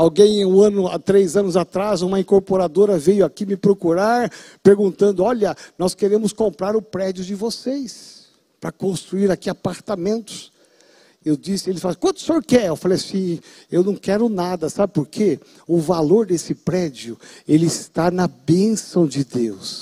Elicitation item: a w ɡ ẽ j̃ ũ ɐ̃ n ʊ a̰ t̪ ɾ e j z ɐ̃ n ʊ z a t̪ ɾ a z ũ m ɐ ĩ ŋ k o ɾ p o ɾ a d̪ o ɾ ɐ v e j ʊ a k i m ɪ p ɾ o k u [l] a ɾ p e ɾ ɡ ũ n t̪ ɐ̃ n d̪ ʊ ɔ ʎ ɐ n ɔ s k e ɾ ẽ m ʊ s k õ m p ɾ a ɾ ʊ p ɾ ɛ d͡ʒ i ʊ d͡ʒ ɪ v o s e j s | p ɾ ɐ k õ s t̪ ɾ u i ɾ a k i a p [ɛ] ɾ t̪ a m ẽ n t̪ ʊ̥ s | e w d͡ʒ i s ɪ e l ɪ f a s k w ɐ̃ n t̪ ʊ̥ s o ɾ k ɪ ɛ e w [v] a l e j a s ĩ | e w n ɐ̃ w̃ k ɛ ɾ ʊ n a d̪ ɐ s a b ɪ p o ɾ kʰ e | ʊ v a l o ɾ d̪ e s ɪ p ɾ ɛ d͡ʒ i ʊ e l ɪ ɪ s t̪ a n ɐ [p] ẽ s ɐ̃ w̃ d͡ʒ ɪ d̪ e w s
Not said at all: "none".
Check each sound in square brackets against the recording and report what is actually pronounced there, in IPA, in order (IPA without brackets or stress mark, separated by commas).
ɾ, a, f, b